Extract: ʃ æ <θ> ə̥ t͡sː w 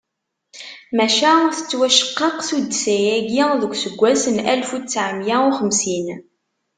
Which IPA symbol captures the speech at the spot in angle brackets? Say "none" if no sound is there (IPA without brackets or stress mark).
θ